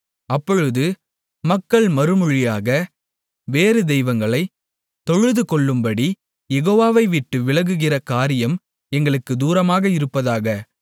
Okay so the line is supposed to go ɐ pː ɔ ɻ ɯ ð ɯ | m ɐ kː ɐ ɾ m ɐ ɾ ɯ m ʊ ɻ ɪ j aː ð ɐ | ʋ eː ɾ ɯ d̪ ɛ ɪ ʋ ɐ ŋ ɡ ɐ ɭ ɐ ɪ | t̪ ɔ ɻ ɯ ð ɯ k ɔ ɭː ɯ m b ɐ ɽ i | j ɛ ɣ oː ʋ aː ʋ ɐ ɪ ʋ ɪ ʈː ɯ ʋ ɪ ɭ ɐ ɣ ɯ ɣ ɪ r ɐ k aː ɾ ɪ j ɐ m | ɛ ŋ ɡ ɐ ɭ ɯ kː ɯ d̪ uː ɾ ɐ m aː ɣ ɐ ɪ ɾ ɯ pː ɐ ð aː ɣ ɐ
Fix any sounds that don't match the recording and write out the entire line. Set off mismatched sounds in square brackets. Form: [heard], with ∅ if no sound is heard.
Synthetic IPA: ɐ pː ɔ ɻ ɯ ð ɯ | m ɐ kː ɐ [ɭ] m ɐ ɾ ɯ m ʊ ɻ ɪ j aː [ɣ] ɐ | ʋ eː ɾ ɯ d̪ ɛ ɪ ʋ ɐ ŋ ɡ ɐ ɭ ɐ ɪ | t̪ ɔ ɻ ɯ ð ɯ k ɔ ɭː ɯ m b ɐ ɽ i | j ɛ ɣ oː ʋ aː ʋ ɐ ɪ ʋ ɪ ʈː ɯ ʋ ɪ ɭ ɐ ɣ ɯ ɣ ɪ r ɐ k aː ɾ ɪ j ɐ m | ɛ ŋ ɡ ɐ ɭ ɯ kː ɯ d̪ uː ɾ ɐ m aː ɣ ɐ ɪ ɾ ɯ pː ɐ ð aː ɣ ɐ